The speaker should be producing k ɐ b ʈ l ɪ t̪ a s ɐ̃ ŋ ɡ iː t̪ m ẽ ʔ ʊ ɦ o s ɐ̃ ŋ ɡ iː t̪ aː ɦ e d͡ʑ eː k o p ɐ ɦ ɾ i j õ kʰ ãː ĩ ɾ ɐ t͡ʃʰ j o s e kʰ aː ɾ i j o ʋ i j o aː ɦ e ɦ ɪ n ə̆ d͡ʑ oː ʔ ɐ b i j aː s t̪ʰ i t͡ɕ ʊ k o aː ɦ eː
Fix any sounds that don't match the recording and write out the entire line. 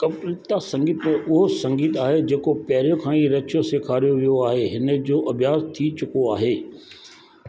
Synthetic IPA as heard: k ɐ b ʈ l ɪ t̪ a s ɐ̃ ŋ ɡ iː t̪ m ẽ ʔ ʊ ɦ o s ɐ̃ ŋ ɡ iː t̪ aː ɦ e d͡ʑ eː k o p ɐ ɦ ɾ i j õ kʰ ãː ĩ ɾ ɐ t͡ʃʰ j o s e kʰ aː ɾ i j o ʋ i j o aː ɦ e ɦ ɪ n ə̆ d͡ʑ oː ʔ ɐ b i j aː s t̪ʰ i t͡ɕ ʊ k o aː ɦ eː